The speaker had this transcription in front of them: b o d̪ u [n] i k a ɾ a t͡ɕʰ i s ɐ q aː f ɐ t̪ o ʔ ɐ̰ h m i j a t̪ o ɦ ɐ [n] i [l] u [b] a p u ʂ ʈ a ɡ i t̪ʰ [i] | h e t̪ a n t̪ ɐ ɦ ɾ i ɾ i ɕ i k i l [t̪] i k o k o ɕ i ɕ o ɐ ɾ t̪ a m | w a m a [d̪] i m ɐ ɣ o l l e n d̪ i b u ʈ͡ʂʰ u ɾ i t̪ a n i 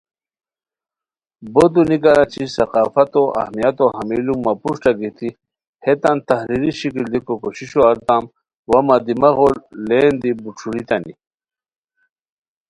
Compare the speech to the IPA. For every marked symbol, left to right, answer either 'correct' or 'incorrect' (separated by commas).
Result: correct, incorrect, correct, incorrect, correct, incorrect, correct